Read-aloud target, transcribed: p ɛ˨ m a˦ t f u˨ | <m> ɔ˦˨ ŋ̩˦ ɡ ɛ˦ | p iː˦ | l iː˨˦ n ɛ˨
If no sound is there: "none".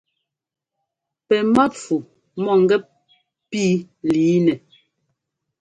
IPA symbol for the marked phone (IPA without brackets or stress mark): m